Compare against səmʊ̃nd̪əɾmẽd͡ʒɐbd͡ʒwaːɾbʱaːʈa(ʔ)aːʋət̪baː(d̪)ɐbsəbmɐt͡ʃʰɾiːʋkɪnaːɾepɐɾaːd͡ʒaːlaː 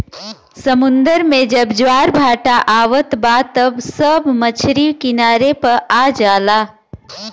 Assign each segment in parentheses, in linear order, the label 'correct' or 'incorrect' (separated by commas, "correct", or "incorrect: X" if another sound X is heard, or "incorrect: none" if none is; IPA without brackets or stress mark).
correct, incorrect: t̪